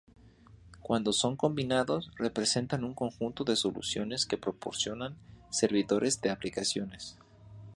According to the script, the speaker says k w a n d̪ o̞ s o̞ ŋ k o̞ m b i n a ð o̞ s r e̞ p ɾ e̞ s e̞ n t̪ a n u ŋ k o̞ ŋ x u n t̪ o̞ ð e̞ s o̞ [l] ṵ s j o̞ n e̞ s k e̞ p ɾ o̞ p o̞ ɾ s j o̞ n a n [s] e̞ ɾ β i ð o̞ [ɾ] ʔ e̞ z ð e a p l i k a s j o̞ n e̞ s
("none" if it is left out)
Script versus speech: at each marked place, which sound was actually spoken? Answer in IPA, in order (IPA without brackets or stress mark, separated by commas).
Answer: l, s, ɾ